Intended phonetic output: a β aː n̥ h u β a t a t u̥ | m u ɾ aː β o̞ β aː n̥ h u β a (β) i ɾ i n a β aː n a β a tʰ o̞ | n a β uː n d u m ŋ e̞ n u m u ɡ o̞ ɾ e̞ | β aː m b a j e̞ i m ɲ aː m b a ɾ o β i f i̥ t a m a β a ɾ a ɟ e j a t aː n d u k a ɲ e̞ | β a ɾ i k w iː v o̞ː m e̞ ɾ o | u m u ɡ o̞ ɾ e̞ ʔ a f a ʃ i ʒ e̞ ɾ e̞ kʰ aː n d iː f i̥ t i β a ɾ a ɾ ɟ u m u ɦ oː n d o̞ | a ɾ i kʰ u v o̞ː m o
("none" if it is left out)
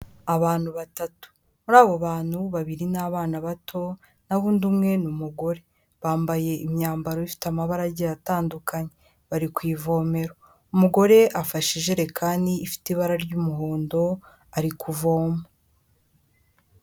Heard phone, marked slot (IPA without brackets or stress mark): β